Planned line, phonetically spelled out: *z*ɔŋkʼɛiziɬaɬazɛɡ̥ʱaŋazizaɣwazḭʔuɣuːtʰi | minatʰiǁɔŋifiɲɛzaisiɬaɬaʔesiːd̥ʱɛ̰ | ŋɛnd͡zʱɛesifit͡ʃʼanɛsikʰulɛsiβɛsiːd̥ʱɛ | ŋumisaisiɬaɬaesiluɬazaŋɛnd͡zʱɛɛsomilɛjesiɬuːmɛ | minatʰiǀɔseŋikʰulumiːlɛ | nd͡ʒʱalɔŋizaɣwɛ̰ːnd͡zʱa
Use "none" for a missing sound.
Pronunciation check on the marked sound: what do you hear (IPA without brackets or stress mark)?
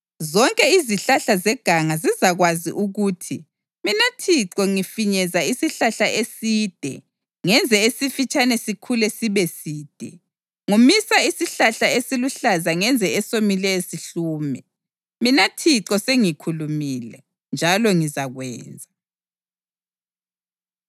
z